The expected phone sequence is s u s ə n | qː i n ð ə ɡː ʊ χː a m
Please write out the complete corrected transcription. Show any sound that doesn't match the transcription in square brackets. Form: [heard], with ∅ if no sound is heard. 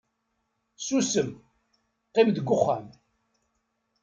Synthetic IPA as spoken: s u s ə [m] | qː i [m] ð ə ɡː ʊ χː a m